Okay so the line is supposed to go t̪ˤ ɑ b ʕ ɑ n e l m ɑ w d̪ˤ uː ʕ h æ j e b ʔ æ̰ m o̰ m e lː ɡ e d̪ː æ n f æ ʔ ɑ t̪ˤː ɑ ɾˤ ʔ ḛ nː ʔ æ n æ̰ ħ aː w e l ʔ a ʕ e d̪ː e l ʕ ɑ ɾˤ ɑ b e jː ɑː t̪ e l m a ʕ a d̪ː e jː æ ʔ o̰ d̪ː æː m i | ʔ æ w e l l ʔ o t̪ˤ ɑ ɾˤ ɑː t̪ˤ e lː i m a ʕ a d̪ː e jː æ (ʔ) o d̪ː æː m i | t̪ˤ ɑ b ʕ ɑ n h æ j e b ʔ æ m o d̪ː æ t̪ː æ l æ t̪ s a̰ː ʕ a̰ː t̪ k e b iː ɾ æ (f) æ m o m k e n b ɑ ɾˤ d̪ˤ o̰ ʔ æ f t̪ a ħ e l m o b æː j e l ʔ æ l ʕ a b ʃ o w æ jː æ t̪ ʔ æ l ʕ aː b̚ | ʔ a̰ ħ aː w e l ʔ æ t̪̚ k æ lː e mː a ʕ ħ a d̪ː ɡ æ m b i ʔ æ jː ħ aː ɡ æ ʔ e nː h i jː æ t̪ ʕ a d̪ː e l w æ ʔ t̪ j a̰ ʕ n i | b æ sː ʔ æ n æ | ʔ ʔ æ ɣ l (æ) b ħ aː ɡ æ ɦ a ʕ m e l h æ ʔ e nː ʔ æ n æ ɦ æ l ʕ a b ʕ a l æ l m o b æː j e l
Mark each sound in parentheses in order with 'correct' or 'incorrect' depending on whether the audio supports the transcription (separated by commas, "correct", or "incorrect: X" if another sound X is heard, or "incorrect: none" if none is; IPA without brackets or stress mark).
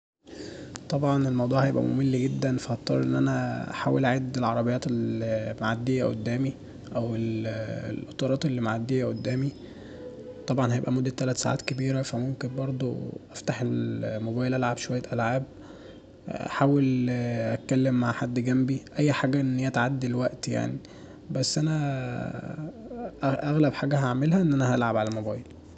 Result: correct, correct, correct